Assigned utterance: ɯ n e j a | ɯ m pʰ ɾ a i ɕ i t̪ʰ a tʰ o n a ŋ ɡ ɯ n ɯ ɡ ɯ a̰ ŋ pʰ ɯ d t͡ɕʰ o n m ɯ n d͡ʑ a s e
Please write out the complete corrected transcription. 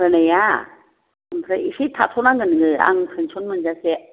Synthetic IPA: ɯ n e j a | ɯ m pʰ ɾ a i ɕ i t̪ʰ a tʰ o n a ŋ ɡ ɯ n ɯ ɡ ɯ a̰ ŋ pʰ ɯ n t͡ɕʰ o n m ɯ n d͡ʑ a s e